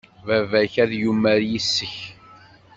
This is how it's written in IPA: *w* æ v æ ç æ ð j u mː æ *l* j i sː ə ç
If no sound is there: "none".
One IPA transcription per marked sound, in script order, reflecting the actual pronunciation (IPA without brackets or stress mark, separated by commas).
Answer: v, ɾ